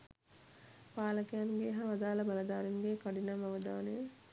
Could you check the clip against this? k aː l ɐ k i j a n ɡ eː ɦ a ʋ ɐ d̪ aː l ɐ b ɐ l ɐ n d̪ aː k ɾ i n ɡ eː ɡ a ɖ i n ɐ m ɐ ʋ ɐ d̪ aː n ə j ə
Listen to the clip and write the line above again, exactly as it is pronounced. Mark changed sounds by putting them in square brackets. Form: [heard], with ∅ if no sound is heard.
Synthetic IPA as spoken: [p] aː l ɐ k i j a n ɡ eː ɦ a ʋ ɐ d̪ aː l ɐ b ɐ l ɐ [∅] d̪ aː [∅] ɾ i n ɡ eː [k] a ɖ i n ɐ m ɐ ʋ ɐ d̪ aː n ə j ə